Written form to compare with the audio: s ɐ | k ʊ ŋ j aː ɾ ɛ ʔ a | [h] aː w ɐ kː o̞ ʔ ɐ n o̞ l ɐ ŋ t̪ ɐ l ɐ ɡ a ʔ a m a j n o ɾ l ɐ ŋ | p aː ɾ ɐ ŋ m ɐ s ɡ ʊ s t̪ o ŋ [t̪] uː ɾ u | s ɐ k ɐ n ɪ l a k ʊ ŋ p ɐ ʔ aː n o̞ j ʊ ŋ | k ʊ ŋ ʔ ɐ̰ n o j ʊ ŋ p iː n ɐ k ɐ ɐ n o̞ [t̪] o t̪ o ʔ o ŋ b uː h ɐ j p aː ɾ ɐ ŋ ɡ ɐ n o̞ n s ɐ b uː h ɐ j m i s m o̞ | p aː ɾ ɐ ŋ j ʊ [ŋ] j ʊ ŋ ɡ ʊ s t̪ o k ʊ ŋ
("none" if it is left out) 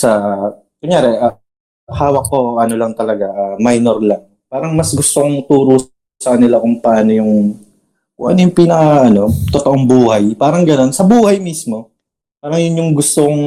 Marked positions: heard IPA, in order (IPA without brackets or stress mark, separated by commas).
h, t̪, t̪, n